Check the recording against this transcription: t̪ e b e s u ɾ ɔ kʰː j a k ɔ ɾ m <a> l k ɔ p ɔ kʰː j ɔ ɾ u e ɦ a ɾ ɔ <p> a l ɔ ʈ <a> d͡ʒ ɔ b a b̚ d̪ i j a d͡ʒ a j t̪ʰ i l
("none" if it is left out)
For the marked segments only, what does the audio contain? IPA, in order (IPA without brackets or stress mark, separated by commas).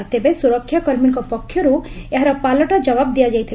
i, p, a